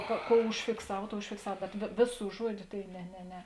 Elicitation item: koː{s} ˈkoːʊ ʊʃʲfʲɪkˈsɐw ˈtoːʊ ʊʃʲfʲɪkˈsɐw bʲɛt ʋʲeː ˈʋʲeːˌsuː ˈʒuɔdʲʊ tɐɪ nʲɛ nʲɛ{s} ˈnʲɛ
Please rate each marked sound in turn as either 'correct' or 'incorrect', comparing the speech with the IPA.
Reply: incorrect, incorrect

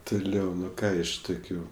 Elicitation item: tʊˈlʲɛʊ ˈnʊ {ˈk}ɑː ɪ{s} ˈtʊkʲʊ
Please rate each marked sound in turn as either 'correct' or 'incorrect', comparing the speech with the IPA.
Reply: correct, incorrect

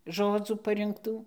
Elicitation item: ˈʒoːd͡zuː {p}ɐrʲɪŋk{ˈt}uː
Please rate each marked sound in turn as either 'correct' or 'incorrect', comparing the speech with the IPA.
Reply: correct, correct

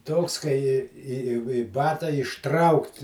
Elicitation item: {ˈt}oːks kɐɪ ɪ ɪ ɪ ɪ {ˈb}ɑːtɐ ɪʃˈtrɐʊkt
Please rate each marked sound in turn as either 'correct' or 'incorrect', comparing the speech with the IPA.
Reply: correct, correct

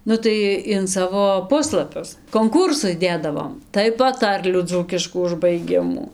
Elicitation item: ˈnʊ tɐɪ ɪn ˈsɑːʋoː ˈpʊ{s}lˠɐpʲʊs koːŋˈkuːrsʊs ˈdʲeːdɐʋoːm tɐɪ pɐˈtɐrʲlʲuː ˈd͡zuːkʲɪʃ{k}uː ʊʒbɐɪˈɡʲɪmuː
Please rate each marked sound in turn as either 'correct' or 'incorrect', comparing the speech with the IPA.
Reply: correct, correct

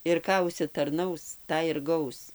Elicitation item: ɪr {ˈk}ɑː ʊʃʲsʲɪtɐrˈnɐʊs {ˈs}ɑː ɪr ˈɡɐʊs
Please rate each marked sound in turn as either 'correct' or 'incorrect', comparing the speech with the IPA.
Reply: correct, incorrect

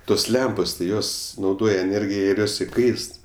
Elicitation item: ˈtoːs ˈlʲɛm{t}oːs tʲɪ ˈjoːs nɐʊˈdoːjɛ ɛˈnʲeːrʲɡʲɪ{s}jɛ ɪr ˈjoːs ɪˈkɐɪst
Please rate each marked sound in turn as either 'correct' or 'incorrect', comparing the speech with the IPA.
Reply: incorrect, incorrect

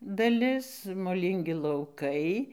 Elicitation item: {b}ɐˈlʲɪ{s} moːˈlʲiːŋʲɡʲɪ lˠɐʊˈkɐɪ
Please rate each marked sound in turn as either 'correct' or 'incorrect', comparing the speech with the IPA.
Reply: incorrect, correct

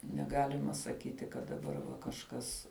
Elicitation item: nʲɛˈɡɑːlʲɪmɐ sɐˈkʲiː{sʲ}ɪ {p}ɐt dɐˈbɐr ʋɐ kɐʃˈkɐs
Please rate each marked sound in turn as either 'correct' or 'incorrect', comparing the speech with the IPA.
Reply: incorrect, incorrect

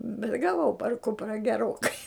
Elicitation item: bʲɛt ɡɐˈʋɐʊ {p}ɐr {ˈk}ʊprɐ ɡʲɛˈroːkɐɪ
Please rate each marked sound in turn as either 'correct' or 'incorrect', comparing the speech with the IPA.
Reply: correct, correct

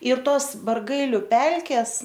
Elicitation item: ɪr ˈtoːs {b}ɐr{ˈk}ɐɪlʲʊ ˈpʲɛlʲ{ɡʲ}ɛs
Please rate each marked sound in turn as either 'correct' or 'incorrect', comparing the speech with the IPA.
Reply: correct, incorrect, incorrect

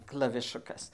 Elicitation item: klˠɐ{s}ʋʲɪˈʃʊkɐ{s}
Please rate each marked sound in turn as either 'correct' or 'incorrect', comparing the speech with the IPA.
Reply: incorrect, correct

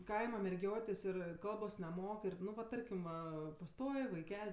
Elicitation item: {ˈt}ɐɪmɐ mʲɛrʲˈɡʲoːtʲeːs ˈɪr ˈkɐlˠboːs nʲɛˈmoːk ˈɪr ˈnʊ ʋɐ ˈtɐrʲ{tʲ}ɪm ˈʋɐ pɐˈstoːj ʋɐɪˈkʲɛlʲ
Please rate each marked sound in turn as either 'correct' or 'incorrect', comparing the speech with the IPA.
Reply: incorrect, incorrect

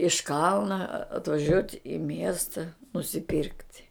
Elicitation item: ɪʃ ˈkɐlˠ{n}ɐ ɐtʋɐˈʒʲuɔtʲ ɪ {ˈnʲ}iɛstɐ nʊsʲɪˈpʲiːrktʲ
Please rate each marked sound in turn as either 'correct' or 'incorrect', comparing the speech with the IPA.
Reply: correct, incorrect

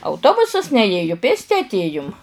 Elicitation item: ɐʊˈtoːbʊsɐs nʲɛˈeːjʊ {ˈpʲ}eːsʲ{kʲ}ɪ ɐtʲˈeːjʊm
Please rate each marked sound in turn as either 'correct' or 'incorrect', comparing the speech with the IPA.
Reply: correct, incorrect

